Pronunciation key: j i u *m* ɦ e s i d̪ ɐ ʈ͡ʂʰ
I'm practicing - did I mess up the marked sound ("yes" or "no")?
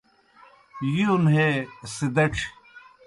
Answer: yes